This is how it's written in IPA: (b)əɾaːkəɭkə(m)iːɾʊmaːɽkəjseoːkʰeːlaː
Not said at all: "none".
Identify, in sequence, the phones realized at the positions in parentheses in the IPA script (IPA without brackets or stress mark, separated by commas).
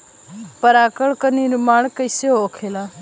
p, n